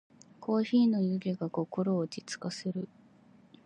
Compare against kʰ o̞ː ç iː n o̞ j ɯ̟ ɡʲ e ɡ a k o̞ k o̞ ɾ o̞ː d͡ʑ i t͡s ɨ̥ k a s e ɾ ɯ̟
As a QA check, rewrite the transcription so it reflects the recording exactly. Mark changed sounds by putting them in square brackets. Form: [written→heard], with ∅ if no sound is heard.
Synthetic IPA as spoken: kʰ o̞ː ç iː n o̞ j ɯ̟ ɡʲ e ɡ a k o̞ k o̞ ɾ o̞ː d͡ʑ i t͡s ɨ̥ k a s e ɾ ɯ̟

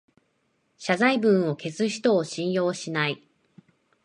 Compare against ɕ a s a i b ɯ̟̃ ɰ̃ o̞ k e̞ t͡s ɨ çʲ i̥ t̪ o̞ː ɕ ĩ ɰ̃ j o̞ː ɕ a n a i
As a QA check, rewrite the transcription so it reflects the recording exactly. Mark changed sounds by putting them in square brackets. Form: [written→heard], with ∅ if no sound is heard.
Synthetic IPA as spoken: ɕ a [s→z] a i b ɯ̟̃ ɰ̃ o̞ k e̞ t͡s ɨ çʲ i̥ t̪ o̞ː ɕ ĩ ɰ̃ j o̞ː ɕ [a→i] n a i

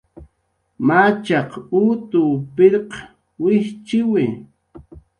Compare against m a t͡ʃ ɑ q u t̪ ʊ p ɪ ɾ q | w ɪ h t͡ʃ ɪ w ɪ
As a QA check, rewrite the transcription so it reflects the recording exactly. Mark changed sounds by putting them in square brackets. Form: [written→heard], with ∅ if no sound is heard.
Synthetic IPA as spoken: m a t͡ʃ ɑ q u t̪ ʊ p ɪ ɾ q | w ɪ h t͡ʃ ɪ w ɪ

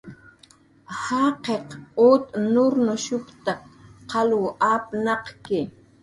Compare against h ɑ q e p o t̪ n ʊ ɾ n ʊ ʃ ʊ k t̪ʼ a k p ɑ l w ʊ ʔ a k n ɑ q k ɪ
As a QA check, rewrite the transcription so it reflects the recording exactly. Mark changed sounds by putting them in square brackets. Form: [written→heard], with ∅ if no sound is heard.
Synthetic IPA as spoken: h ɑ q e [p→q] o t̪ n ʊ ɾ n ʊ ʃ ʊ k [t̪ʼ→t̪] a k [p→q] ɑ l w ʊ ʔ a [k→p] n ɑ q k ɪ

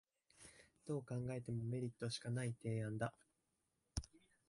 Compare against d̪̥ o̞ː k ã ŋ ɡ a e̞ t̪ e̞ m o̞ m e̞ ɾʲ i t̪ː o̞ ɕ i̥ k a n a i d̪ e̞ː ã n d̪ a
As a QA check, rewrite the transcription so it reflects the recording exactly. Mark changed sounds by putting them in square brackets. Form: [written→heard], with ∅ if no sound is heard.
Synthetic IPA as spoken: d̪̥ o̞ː k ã ŋ ɡ a e̞ t̪ e̞ m o̞ m e̞ ɾʲ i t̪ː o̞ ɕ i̥ k a n a i [d̪→t̪] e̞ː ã n d̪ a

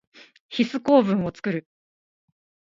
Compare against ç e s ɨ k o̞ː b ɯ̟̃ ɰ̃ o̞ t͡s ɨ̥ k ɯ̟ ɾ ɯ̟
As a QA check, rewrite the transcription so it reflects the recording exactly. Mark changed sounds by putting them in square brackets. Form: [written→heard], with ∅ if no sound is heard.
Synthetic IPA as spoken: ç [e→i] s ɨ k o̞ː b ɯ̟̃ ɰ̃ o̞ t͡s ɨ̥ k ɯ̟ ɾ ɯ̟

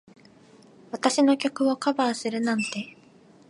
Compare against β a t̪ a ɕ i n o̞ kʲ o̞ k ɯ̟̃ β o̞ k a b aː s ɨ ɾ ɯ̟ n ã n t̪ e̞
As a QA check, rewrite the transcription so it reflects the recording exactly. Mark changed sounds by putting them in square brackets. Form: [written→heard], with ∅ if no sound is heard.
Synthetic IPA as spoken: β a t̪ a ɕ i n o̞ kʲ o̞ k [ɯ̟̃→ɯ̟] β o̞ k a b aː s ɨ ɾ ɯ̟ n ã n t̪ e̞

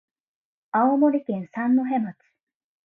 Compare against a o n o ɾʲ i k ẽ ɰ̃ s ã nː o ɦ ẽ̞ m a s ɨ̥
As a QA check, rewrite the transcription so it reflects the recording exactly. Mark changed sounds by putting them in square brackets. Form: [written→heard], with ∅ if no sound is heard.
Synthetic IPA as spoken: a o [n→m] o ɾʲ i k ẽ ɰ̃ s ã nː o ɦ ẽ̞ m a [s→t͡s] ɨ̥

